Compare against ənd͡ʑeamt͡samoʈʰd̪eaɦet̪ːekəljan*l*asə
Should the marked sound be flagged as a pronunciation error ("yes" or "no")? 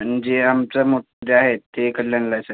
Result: no